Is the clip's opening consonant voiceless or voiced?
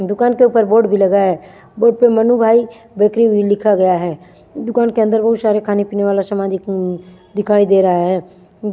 voiced